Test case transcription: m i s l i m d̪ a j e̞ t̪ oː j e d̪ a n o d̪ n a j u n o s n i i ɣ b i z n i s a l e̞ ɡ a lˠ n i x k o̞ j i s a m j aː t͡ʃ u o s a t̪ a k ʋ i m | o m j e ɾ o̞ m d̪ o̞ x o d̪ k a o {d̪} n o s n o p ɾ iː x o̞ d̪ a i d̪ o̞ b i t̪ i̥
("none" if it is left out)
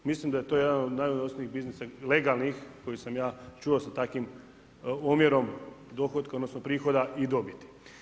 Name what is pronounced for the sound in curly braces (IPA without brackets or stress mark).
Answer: d̪